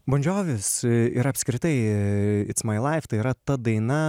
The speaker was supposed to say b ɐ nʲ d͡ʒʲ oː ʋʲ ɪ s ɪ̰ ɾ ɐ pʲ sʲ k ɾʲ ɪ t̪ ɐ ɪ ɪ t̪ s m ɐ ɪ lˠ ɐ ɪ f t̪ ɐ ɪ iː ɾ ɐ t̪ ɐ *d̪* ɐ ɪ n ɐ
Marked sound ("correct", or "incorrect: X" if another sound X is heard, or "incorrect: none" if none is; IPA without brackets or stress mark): correct